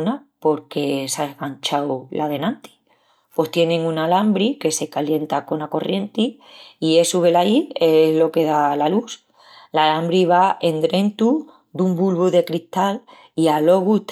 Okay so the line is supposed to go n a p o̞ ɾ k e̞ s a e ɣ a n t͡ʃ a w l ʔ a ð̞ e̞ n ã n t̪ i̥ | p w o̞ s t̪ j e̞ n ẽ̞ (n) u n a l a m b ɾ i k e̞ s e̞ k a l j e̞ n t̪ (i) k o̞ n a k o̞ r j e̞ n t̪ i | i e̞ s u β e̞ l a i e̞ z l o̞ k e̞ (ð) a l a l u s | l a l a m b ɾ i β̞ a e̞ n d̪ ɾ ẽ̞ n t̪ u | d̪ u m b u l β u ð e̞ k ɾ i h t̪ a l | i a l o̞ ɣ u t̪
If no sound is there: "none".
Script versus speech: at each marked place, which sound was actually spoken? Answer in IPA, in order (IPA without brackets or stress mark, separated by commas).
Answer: ŋ, a, ð